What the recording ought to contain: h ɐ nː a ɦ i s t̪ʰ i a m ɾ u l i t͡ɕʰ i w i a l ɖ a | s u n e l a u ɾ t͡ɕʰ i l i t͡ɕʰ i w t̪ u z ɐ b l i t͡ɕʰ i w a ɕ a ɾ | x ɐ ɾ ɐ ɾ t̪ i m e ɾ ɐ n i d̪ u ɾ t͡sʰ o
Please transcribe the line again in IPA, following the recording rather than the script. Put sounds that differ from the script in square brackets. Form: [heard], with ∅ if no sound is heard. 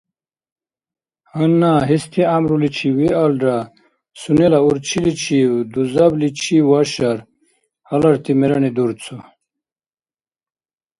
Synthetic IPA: h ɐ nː a ɦ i s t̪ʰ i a m ɾ u l i t͡ɕʰ i w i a l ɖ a | s u n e l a u ɾ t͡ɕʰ i l i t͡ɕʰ i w [d̪] u z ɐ b l i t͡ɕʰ i w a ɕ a ɾ | [h] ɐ [l] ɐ ɾ t̪ i m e ɾ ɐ n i d̪ u ɾ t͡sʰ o